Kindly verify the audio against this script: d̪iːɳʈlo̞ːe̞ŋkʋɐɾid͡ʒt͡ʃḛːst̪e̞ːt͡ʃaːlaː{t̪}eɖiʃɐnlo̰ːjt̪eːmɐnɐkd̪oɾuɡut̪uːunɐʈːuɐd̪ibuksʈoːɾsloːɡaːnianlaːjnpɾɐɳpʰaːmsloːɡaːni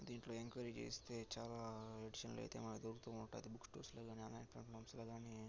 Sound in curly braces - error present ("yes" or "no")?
yes